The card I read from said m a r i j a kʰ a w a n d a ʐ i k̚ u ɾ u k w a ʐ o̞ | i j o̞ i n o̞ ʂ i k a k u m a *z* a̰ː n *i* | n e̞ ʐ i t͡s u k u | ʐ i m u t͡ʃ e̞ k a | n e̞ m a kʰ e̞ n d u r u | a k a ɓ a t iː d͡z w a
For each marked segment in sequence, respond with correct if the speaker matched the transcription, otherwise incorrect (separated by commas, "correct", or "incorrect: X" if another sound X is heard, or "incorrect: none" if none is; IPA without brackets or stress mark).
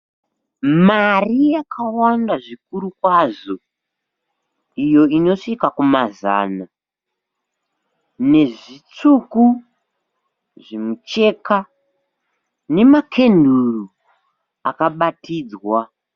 correct, incorrect: a